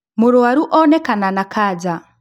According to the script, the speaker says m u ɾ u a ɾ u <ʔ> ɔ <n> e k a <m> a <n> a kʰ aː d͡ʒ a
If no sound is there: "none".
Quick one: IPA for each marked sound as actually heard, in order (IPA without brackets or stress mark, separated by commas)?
ʔ, n, n, n